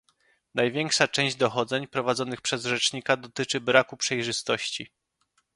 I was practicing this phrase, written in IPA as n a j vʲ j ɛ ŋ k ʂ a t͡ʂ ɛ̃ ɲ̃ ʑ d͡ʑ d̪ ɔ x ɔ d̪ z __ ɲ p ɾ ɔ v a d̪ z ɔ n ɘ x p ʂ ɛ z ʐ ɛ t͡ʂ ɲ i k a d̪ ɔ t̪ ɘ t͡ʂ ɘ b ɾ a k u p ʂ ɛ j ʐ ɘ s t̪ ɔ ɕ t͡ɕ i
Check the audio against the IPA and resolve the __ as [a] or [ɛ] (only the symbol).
ɛ